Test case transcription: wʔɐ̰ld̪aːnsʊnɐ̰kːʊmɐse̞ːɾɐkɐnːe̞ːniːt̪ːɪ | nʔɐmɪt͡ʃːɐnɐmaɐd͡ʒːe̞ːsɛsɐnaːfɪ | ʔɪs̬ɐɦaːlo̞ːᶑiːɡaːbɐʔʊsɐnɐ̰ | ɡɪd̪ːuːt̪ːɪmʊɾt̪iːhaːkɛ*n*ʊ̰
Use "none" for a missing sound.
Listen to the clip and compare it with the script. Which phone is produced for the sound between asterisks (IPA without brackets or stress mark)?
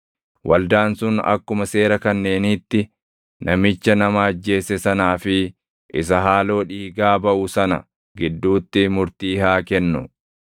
nː